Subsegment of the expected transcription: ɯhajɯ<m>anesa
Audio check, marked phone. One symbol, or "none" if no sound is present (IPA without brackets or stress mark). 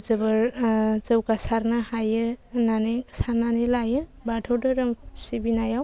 n